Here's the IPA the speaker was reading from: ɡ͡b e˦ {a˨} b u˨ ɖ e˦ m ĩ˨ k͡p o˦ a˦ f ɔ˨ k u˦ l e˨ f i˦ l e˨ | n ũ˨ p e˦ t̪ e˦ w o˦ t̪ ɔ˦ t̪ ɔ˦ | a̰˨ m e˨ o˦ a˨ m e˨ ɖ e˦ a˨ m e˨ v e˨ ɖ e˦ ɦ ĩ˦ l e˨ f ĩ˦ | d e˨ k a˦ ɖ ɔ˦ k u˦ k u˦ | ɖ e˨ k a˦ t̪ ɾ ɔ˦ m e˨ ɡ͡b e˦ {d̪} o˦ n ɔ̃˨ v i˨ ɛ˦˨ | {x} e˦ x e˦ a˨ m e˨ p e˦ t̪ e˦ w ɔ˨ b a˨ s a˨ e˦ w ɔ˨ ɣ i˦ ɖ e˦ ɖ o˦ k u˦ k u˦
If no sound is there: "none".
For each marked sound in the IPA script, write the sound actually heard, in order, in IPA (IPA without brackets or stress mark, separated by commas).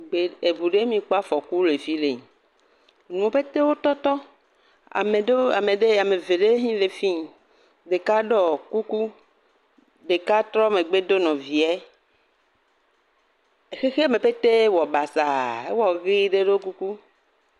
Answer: e˨, d̪, x